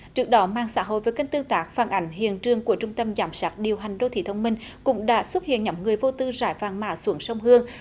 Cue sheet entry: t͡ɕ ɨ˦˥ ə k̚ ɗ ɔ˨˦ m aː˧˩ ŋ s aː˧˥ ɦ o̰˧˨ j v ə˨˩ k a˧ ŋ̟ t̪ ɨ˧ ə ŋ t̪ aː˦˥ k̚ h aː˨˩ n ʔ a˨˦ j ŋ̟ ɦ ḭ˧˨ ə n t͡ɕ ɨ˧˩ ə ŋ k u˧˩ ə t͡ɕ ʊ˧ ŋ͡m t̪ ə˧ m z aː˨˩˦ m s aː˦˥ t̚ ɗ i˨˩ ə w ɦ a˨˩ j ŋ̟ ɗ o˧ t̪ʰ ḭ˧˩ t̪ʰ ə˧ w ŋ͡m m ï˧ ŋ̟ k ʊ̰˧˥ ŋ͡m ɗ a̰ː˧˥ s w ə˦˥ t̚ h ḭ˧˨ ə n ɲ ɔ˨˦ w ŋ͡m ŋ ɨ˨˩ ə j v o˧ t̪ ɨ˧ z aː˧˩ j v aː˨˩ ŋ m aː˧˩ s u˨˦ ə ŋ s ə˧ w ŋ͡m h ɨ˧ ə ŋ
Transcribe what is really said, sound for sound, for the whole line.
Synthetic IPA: t͡ɕ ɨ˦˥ ə k̚ ɗ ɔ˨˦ m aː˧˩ ŋ s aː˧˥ ɦ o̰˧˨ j v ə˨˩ k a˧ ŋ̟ t̪ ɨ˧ ə ŋ t̪ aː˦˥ k̚ f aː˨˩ n ʔ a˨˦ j ŋ̟ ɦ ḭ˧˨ ə n t͡ɕ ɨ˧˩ ə ŋ k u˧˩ ə t͡ɕ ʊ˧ ŋ͡m t̪ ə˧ m z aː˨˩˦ m s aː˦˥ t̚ ɗ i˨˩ ə w ɦ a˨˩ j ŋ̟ ɗ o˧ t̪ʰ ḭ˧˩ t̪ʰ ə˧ w ŋ͡m m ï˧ ŋ̟ k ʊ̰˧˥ ŋ͡m ɗ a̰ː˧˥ s w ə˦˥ t̚ h ḭ˧˨ ə n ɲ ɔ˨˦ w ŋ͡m ŋ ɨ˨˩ ə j v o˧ t̪ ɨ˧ z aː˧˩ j v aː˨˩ ŋ m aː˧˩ s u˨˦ ə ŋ s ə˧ w ŋ͡m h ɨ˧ ə ŋ